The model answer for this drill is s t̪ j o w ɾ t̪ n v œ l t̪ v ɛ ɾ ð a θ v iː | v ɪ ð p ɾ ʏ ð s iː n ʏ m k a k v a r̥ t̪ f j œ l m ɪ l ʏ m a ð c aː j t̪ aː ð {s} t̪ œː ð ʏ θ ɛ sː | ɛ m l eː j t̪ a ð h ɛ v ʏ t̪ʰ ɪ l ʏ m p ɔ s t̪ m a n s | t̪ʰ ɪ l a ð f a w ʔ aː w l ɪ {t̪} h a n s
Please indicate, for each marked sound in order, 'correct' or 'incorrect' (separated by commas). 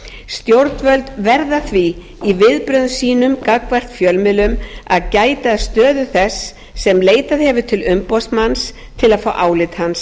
correct, correct